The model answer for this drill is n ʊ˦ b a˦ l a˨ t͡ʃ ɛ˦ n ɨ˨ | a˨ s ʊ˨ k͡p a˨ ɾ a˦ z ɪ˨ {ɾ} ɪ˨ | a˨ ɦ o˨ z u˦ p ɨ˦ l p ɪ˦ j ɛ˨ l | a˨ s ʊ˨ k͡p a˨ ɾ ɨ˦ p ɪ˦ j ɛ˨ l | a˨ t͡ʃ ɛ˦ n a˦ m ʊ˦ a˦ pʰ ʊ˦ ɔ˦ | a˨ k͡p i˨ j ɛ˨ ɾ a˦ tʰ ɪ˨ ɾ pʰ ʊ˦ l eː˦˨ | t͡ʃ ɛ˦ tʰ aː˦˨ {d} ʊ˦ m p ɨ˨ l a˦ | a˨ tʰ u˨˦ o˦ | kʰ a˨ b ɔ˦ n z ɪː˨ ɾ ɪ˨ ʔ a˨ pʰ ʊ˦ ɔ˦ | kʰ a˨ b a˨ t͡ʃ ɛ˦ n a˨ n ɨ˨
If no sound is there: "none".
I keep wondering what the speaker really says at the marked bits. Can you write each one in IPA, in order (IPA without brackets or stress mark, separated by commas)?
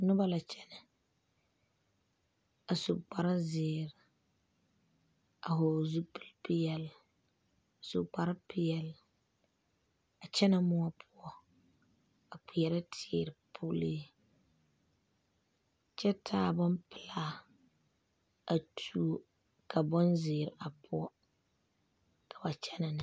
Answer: ɾ, b